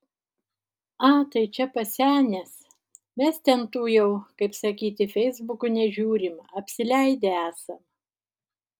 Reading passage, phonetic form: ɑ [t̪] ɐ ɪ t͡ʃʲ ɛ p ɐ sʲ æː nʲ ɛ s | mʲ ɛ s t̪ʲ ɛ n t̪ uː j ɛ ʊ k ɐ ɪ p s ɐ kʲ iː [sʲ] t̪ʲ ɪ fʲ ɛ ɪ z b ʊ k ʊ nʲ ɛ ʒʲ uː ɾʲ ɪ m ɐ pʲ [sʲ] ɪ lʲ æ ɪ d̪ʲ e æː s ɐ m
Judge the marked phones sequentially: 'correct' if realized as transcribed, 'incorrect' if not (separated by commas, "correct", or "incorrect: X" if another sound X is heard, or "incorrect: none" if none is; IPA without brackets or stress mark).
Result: correct, incorrect: none, correct